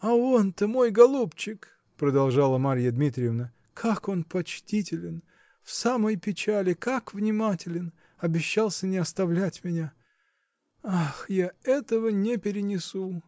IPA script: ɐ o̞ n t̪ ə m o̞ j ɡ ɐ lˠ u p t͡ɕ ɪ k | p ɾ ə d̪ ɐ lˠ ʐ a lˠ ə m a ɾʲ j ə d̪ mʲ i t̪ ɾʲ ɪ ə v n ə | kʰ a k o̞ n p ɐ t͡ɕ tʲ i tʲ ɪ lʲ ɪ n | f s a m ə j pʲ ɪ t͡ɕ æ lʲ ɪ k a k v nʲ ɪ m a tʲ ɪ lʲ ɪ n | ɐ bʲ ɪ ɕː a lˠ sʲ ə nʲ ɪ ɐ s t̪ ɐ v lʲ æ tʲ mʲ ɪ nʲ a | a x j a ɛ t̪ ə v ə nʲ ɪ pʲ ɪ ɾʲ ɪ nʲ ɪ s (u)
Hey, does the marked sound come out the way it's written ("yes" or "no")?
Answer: yes